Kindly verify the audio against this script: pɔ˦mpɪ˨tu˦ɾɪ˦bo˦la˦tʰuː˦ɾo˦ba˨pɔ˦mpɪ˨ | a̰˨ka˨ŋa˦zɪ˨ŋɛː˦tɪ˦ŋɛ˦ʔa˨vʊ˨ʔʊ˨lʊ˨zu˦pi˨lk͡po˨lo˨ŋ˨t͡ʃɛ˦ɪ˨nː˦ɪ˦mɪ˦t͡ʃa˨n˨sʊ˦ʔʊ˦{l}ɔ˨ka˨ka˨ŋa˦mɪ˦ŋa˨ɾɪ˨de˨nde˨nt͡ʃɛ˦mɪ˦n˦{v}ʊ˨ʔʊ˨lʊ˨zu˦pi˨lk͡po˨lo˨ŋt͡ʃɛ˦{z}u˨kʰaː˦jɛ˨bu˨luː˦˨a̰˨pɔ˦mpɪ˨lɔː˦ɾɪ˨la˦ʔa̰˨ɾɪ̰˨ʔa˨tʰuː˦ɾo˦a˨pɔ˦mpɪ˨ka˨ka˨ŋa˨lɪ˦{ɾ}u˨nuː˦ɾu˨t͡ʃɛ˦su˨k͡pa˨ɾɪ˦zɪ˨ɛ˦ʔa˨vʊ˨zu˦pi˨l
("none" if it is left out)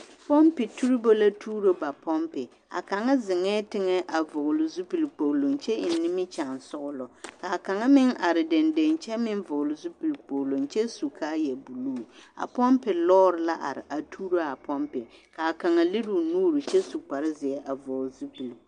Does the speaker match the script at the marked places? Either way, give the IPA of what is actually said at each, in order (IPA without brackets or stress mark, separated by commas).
l, v, s, ɾ